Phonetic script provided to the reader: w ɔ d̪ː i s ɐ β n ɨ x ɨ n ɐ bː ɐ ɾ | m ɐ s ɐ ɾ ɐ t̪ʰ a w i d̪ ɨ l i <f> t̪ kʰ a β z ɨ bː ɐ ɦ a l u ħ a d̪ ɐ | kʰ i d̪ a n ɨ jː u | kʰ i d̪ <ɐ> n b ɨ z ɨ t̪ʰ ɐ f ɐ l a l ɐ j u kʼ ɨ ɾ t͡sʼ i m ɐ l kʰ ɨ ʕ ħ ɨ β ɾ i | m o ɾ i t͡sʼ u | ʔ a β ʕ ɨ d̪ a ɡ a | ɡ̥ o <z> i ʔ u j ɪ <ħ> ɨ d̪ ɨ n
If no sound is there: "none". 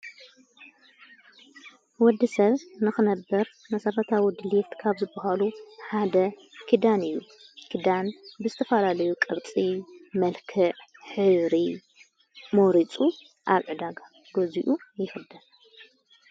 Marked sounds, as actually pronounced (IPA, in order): f, a, z, x

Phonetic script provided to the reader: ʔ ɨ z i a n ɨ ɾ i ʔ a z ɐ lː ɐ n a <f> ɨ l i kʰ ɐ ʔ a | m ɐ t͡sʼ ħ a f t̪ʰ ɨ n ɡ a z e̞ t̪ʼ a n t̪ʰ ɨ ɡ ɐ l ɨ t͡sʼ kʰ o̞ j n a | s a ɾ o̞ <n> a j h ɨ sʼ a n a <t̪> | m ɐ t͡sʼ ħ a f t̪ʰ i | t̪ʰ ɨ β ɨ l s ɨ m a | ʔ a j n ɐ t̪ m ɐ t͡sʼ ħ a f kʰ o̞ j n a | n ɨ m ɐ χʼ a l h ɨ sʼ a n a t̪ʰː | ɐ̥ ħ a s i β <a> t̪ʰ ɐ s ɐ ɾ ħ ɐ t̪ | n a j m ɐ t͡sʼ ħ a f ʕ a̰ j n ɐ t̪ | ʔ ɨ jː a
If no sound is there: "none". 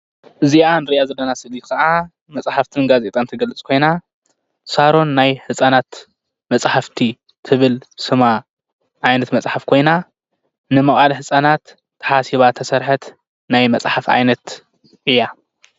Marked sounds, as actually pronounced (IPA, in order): s, nː, t̪, a

